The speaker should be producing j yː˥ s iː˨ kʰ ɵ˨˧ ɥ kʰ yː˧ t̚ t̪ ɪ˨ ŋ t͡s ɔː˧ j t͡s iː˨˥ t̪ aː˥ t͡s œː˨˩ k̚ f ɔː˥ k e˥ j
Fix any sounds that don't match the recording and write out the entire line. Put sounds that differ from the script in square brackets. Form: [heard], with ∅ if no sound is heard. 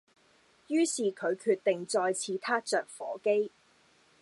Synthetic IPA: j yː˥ s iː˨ kʰ ɵ˨˧ ɥ kʰ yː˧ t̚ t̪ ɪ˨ ŋ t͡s ɔː˧ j [t͡sʰ] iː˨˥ [t̪ʰ] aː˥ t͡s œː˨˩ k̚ f [ɔː˨˥] k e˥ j